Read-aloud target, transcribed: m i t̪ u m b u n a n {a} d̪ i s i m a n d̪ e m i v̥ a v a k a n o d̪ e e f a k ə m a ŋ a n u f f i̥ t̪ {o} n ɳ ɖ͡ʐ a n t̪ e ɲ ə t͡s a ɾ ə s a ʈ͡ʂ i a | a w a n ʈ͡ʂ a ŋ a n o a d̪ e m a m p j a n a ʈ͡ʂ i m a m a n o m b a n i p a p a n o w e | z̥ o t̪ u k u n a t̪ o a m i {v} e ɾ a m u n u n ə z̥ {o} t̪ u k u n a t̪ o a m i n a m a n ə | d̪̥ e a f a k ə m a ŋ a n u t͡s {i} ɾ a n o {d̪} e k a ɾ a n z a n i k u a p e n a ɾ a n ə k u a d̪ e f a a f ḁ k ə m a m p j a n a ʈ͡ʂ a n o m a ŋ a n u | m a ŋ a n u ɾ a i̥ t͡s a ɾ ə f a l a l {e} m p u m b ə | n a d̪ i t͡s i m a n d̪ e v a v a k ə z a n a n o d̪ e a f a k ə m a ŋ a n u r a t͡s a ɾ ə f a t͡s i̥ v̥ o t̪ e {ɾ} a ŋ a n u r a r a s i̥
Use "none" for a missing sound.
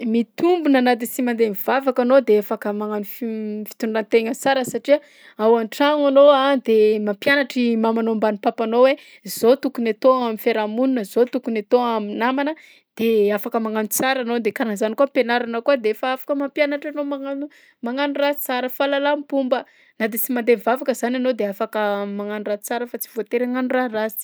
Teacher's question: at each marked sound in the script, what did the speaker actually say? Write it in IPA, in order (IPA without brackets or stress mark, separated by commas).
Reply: a, u, f, o, a, d̪, a, ɾ